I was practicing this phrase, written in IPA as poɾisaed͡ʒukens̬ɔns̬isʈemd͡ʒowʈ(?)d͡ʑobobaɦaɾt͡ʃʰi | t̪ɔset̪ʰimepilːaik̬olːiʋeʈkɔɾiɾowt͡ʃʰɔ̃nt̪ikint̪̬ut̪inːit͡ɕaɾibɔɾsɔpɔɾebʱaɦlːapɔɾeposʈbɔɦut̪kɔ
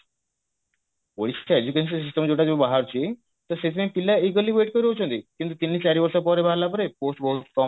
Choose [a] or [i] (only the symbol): a